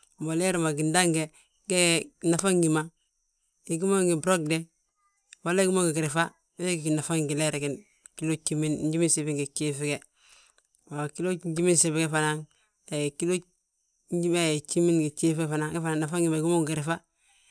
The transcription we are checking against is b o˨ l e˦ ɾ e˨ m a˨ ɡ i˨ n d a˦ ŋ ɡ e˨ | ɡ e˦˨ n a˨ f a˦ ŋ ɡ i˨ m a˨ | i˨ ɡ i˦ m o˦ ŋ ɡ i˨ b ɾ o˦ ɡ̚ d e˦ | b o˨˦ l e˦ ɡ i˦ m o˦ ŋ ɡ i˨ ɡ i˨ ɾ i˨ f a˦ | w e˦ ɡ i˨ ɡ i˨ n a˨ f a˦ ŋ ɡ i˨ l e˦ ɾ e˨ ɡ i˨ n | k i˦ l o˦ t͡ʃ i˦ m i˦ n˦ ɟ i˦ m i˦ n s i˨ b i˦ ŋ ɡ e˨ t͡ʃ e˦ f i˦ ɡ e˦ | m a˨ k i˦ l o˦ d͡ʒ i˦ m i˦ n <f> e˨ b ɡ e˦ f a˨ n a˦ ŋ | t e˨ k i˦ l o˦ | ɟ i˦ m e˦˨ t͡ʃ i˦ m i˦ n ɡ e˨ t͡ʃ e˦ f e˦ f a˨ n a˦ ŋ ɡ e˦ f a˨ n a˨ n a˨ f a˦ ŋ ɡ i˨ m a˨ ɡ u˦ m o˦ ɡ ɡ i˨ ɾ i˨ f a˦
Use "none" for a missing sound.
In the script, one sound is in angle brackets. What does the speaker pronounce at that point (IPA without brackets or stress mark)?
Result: s